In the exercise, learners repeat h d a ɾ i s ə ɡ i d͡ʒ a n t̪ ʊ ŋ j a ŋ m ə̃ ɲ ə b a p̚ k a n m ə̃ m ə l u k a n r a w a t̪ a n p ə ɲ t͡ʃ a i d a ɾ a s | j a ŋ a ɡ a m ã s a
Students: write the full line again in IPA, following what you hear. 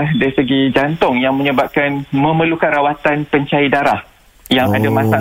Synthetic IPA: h d a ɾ i s ə ɡ i d͡ʒ a n t̪ ʊ ŋ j a ŋ m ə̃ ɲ ə b a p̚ k a n m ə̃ m ə l u k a n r a w a t̪ a n p ə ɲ t͡ʃ a i d a ɾ a h | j a ŋ a d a m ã s a